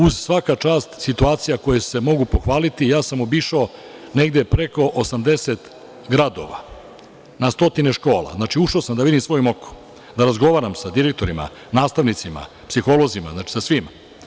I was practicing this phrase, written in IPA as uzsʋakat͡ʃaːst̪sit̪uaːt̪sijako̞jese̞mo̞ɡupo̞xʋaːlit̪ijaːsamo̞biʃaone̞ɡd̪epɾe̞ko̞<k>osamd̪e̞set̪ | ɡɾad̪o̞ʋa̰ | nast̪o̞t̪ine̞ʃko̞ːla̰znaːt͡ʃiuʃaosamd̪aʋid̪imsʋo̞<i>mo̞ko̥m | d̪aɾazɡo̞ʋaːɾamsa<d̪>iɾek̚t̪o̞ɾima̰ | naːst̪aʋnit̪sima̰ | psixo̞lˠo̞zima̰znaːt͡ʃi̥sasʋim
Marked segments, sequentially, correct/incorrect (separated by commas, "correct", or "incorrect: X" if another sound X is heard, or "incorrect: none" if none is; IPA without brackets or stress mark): incorrect: ʔ, incorrect: j, correct